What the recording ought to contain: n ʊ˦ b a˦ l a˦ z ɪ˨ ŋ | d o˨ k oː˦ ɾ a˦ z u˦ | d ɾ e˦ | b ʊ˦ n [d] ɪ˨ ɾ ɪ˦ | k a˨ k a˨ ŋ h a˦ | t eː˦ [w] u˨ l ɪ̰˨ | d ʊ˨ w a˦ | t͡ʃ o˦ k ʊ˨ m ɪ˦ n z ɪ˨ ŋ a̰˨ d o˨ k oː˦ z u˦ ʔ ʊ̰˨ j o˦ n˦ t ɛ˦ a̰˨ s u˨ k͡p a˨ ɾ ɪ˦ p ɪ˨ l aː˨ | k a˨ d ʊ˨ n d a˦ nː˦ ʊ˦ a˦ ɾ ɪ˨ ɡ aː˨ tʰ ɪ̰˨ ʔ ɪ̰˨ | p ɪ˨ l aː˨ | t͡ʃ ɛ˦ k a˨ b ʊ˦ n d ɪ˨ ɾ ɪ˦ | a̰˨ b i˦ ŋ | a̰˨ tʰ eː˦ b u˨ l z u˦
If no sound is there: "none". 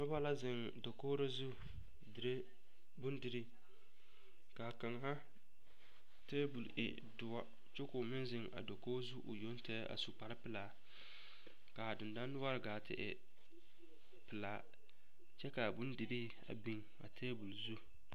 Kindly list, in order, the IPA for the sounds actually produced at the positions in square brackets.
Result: d, b

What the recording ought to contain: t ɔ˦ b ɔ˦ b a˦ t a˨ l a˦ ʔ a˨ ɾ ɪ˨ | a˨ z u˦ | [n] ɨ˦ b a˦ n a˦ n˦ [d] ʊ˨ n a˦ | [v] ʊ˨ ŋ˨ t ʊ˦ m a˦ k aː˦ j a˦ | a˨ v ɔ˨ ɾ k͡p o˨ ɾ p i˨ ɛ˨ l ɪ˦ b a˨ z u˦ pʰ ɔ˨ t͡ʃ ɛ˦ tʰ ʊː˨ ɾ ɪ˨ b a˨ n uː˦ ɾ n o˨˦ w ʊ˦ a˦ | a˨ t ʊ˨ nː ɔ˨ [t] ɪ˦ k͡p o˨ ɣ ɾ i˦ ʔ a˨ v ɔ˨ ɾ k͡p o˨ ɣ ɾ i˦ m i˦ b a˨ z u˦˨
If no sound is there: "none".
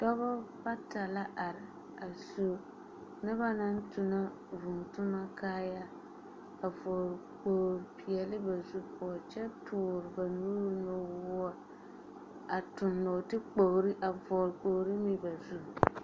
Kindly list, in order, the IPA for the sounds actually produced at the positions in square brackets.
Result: n, t, v, t

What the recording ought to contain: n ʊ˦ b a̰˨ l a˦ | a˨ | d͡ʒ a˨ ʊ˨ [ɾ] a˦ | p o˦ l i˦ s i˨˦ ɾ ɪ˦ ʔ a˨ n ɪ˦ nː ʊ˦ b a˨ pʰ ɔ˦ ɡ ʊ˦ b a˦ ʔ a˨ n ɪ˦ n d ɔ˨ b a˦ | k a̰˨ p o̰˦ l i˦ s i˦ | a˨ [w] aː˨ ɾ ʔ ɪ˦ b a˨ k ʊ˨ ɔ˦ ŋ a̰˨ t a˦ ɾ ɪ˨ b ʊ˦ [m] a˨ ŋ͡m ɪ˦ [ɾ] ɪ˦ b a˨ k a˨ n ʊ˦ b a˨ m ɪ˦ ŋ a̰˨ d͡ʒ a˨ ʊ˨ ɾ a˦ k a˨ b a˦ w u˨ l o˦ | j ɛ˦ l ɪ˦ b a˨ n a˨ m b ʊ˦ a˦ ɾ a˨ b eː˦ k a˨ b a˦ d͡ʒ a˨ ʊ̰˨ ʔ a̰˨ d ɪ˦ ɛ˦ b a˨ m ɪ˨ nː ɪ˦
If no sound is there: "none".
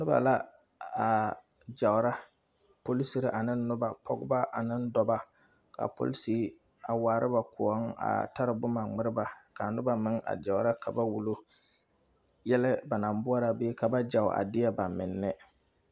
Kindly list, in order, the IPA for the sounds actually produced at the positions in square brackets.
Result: ɾ, w, m, ɾ

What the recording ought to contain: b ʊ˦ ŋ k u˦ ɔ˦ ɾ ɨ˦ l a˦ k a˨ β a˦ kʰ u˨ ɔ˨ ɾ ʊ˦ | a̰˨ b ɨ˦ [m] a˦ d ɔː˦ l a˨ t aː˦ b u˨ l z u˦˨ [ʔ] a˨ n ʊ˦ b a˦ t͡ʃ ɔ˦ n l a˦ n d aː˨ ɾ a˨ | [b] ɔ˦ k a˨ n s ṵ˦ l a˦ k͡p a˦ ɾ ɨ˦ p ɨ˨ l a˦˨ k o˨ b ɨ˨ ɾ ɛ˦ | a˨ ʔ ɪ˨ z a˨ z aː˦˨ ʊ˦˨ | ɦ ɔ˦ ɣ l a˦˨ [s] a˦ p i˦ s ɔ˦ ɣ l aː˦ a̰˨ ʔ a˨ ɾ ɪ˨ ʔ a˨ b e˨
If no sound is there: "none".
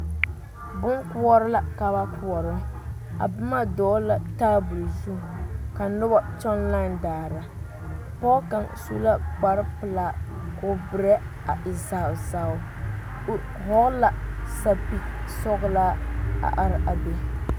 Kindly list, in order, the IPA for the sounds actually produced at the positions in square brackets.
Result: m, k, p, s

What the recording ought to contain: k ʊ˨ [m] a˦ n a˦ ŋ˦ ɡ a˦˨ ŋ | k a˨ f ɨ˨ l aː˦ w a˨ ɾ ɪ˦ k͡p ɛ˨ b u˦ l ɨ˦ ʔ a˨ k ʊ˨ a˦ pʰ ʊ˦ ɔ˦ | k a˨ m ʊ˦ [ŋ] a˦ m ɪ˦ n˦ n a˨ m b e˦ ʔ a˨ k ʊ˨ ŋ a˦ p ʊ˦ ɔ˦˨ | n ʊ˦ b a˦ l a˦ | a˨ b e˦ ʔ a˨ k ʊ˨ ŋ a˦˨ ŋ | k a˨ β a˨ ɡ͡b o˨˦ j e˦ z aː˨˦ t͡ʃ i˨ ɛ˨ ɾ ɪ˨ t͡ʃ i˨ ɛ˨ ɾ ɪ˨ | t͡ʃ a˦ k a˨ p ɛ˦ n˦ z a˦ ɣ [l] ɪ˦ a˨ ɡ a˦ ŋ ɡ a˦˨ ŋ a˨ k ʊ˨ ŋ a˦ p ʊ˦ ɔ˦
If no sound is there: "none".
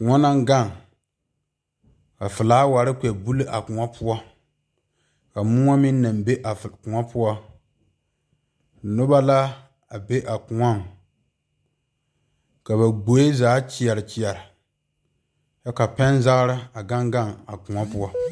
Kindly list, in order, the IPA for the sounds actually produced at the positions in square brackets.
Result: ŋ, ŋ, ɾ

